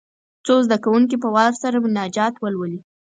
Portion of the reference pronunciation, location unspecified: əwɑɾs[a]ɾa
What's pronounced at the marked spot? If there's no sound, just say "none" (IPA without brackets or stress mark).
a